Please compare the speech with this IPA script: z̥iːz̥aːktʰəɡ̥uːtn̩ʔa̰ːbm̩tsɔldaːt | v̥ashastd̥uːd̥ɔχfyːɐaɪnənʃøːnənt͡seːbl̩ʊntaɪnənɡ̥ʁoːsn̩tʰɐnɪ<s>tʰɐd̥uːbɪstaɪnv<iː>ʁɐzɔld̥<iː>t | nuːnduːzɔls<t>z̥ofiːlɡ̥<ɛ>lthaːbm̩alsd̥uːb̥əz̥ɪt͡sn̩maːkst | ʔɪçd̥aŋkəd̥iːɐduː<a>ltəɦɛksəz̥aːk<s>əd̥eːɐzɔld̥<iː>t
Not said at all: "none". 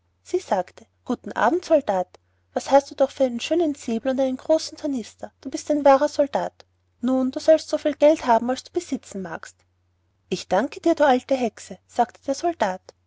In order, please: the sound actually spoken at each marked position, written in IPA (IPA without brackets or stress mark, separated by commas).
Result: s, aː, aː, t, ɛ, a, t, aː